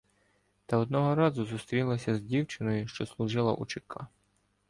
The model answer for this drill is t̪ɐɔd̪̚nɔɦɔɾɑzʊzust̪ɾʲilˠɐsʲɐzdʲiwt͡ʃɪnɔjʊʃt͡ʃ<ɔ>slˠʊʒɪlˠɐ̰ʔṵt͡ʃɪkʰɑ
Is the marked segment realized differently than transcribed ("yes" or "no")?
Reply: no